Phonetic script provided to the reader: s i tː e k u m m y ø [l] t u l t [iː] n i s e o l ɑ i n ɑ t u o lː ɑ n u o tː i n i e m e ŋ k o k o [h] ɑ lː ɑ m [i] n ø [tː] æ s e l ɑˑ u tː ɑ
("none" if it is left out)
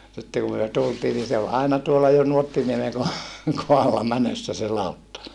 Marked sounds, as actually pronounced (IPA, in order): none, iː, h, æ, sː

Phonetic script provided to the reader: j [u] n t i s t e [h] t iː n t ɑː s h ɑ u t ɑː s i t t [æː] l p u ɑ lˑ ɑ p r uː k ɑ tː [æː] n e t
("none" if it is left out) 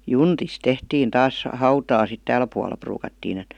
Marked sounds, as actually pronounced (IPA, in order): u, h, æː, iː

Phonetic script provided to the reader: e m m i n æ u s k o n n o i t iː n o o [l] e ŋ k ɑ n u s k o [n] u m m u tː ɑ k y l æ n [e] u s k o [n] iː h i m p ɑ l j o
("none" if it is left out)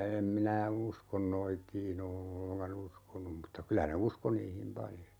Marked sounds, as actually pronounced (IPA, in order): lː, n, e, n

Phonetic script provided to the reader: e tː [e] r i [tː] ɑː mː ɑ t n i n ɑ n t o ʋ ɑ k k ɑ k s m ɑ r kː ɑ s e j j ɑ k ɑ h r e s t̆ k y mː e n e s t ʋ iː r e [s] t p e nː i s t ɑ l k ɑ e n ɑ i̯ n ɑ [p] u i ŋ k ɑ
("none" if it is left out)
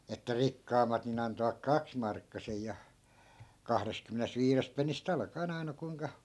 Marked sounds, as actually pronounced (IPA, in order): æ, kː, s, k

